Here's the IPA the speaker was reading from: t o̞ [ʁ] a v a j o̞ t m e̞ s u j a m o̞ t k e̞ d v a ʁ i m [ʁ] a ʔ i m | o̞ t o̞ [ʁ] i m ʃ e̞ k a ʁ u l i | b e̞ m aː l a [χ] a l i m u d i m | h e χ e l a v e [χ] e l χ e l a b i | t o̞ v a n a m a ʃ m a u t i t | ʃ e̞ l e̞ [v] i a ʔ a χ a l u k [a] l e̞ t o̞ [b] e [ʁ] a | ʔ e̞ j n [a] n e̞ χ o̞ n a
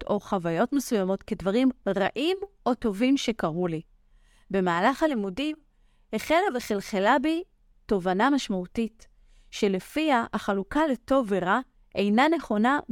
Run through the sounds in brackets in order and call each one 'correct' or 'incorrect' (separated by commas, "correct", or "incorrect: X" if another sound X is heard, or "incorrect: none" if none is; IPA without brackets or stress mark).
incorrect: χ, correct, incorrect: v, correct, correct, incorrect: f, correct, incorrect: v, correct, correct